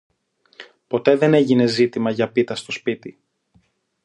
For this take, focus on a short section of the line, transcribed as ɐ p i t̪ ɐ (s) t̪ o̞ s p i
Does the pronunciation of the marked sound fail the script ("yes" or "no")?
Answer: no